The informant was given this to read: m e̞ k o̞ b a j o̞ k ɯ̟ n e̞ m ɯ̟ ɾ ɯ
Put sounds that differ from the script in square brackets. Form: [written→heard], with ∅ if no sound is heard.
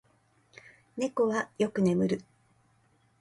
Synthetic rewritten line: [m→n] e̞ k o̞ [b→β] a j o̞ k ɯ̟ n e̞ m ɯ̟ ɾ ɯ